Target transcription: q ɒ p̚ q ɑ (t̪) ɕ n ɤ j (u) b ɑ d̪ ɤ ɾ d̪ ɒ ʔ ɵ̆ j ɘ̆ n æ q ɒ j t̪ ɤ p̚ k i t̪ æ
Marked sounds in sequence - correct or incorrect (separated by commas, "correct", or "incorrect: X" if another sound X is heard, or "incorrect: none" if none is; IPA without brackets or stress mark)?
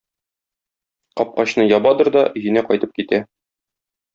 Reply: incorrect: none, incorrect: ɒ